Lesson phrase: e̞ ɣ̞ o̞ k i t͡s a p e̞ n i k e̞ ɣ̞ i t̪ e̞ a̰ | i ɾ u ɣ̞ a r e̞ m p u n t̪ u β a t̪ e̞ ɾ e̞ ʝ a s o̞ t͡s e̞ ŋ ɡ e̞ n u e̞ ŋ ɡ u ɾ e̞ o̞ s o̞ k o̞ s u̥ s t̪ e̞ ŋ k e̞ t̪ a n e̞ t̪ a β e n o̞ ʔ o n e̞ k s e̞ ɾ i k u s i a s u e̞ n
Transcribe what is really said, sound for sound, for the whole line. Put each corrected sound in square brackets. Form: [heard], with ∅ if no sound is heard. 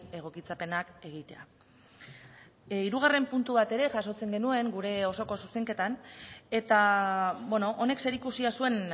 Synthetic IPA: e̞ ɣ̞ o̞ k i t͡s a p e̞ n [a] k e̞ ɣ̞ i t̪ e̞ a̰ | i ɾ u ɣ̞ a r e̞ m p u n t̪ u β a t̪ e̞ ɾ e̞ ʝ a s o̞ t͡s e̞ ŋ ɡ e̞ n u e̞ ŋ ɡ u ɾ e̞ o̞ s o̞ k o̞ s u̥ s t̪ e̞ ŋ k e̞ t̪ a n e̞ t̪ a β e n o̞ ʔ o n e̞ k s e̞ ɾ i k u s i a s u e̞ n